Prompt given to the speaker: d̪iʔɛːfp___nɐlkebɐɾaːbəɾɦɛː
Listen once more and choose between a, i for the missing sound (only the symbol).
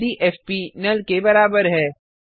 i